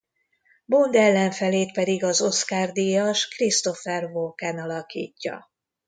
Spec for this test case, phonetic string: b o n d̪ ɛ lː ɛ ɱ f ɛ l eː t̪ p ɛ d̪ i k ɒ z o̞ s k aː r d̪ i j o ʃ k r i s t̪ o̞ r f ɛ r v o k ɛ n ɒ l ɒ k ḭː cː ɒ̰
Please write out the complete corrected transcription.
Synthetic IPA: b o n d̪ ɛ lː ɛ ɱ f ɛ l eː t̪ p ɛ d̪ i ɡ ɒ z o̞ s k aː r d̪ i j ɒ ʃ k r i s t̪ o̞ f ɛ r v o k ɛ n ɒ l ɒ k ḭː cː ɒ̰